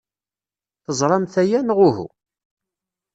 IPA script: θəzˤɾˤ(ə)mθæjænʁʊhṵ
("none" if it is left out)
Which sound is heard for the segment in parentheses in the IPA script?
ɑ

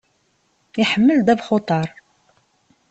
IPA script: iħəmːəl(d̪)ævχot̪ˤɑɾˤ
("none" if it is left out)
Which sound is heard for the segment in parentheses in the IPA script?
d̪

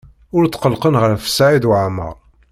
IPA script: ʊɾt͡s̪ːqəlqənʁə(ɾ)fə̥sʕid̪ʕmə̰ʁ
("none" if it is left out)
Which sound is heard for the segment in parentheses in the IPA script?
ɾ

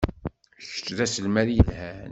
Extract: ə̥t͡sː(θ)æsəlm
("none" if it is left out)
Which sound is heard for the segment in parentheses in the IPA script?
ð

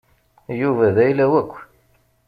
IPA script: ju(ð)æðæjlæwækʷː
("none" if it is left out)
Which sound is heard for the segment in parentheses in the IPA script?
v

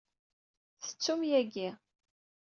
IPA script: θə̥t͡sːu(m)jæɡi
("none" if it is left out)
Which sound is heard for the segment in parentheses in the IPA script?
m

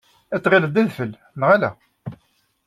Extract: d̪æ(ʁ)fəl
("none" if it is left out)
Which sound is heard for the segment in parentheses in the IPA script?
ð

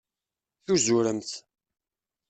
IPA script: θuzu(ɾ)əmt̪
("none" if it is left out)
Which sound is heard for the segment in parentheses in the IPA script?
ɾ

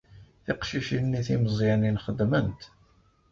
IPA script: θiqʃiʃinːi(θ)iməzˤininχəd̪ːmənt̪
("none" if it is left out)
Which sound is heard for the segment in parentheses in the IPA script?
θ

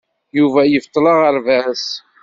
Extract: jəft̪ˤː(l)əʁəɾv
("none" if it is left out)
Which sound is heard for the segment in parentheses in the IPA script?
l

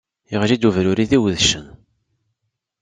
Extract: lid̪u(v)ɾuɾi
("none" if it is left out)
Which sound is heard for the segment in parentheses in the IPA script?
v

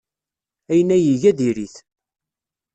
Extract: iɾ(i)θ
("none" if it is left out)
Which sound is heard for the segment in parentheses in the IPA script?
i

